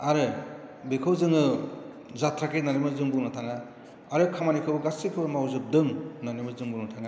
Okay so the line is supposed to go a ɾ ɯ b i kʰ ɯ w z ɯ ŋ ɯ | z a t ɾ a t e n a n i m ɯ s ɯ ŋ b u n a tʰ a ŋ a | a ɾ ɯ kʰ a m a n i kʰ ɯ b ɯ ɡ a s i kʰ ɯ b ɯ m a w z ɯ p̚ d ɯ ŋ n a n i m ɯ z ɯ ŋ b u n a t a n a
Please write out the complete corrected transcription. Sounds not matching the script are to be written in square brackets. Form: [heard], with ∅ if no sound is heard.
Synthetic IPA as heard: a ɾ ɯ b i kʰ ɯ w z ɯ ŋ ɯ | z a t ɾ a [k] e n a n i m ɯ [z] ɯ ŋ b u n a tʰ a ŋ a | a ɾ ɯ kʰ a m a n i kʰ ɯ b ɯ ɡ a s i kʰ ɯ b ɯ m a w z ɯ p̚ d ɯ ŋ n a n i m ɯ z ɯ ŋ b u n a [tʰ] a [ŋ] a